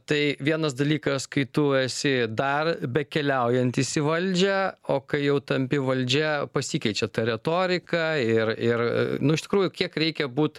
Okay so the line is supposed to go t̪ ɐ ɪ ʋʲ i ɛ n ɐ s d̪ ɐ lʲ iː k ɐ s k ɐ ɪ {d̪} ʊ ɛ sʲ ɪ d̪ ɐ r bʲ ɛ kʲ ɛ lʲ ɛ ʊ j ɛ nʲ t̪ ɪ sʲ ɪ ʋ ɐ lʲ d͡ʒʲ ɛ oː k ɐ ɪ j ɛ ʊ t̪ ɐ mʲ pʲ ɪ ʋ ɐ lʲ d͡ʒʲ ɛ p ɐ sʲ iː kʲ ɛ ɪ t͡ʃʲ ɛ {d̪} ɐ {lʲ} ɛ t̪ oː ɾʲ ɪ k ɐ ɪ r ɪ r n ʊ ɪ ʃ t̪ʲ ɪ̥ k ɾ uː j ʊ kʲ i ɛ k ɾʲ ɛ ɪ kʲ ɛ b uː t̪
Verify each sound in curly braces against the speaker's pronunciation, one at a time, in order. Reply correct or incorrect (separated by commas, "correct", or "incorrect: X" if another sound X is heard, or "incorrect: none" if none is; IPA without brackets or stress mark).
incorrect: t̪, incorrect: t̪, incorrect: ɾʲ